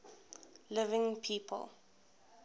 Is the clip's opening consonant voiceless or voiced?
voiced